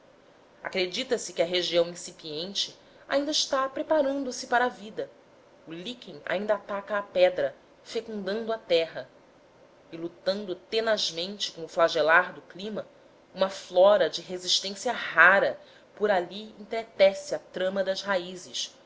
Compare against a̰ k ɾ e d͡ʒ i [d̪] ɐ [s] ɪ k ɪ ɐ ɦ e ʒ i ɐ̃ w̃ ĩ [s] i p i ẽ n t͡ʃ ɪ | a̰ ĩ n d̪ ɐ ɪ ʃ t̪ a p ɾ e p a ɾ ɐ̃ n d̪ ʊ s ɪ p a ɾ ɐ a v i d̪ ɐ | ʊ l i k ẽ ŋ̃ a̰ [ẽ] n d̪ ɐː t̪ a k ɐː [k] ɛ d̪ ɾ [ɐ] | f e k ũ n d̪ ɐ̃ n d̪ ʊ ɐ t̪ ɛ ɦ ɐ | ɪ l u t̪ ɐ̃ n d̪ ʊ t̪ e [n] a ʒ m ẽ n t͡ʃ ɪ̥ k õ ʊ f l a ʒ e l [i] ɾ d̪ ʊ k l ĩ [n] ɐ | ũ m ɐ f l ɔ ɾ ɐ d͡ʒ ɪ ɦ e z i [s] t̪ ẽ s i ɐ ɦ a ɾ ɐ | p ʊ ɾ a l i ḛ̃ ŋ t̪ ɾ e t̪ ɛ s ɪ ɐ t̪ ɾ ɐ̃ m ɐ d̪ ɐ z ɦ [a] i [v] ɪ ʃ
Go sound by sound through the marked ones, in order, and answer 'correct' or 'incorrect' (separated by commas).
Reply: incorrect, correct, correct, incorrect, incorrect, correct, correct, incorrect, incorrect, incorrect, correct, incorrect